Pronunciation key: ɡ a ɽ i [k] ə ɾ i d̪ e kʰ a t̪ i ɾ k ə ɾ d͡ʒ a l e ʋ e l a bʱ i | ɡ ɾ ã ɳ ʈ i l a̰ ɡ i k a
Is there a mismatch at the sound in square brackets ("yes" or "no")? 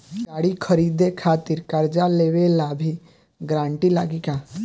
yes